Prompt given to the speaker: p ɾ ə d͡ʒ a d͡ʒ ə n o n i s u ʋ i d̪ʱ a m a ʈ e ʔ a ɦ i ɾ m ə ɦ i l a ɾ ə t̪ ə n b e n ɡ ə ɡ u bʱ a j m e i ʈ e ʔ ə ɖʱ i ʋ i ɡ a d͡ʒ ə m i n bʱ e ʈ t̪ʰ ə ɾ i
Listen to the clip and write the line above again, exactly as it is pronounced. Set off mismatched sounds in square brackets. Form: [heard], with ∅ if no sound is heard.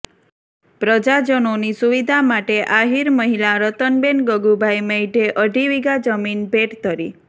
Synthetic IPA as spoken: p ɾ ə d͡ʒ a d͡ʒ ə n o n i s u ʋ i d̪ʱ a m a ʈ e ʔ a ɦ i ɾ m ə ɦ i l a ɾ ə t̪ ə n b e n ɡ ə ɡ u bʱ a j m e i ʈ e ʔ ə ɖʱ i ʋ i ɡ a d͡ʒ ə m i n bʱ e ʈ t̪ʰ ə ɾ i